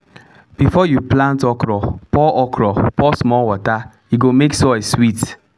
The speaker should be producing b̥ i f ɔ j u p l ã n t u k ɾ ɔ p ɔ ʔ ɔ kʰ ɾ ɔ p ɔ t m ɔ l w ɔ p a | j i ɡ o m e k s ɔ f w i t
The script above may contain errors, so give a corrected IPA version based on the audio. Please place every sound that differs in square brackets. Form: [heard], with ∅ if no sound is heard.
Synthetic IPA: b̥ i f ɔ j u p l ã n t [ɔ] k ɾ ɔ p ɔ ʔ ɔ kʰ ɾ ɔ p ɔ [s] m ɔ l w ɔ [t] a | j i ɡ o m e k s ɔ [s] w i t